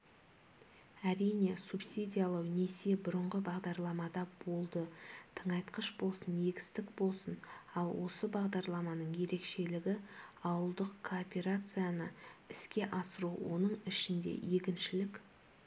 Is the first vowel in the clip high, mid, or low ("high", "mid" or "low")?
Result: low